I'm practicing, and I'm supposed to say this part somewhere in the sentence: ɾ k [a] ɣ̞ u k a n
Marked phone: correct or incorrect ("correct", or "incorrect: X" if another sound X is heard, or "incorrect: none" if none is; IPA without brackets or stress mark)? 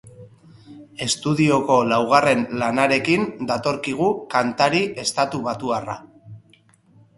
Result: incorrect: i